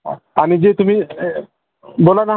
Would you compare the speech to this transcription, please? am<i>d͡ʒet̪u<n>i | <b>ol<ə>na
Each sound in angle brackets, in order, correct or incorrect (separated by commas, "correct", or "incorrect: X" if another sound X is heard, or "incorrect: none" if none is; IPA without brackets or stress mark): correct, incorrect: m, correct, incorrect: a